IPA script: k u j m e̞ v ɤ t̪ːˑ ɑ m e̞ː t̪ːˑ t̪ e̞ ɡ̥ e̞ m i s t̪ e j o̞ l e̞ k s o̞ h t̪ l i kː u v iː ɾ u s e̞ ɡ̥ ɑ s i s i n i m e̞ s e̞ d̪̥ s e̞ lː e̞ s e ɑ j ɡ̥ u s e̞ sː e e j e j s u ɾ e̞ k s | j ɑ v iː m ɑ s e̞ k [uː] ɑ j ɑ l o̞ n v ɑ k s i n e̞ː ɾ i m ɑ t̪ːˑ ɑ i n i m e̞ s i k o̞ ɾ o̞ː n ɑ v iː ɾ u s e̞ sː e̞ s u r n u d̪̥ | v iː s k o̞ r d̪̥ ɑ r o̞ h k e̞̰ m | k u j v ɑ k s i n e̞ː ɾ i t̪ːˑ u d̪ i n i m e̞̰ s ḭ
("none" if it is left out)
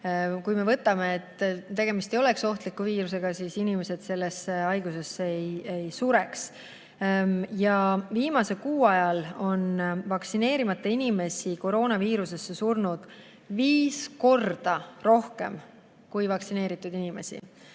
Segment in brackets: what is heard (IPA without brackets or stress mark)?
uː